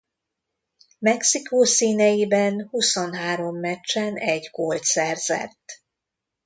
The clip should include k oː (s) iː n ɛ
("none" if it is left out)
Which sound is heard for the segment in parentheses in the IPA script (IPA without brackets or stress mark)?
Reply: s